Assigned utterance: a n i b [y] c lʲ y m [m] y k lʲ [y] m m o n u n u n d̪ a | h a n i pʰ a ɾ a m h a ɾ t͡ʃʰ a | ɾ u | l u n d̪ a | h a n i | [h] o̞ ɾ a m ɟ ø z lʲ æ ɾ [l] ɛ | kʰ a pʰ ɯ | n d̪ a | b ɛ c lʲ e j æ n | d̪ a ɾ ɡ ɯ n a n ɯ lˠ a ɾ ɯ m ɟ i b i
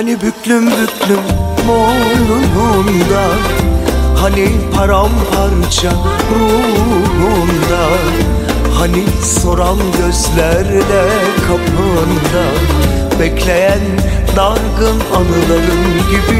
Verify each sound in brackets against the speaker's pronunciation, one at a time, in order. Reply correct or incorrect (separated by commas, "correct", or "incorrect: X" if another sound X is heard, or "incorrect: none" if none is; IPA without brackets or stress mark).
correct, incorrect: b, correct, incorrect: s, correct